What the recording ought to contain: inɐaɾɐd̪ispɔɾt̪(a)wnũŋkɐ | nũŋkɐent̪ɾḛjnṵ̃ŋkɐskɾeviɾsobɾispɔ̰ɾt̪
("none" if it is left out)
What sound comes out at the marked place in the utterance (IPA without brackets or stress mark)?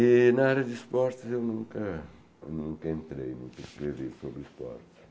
e